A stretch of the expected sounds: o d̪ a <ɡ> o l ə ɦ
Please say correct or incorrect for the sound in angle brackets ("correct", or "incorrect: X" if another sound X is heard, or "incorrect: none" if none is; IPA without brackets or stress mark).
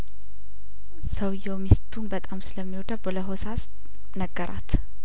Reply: incorrect: b